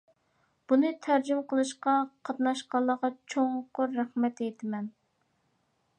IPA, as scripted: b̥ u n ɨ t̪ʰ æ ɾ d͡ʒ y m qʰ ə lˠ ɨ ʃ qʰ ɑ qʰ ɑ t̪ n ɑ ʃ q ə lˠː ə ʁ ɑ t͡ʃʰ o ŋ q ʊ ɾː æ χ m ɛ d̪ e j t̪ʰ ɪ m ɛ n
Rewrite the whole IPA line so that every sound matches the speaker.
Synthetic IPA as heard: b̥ u n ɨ t̪ʰ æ ɾ d͡ʒ y m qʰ ə lˠ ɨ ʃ q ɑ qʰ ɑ t̪ n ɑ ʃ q ɑ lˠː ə ʁ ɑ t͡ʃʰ o ŋ q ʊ ɾː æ χ m ɛ t̪ e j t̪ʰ ɪ m ɛ n